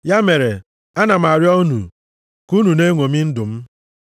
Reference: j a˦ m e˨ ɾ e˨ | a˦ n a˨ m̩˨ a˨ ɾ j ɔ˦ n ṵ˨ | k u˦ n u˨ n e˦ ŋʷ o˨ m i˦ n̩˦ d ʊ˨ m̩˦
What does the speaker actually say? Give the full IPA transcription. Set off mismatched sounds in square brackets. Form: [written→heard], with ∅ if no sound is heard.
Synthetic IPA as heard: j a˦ m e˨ ɾ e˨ | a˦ n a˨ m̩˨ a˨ ɾ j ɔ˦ n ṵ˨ | k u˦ n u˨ n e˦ ŋʷ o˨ m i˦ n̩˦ d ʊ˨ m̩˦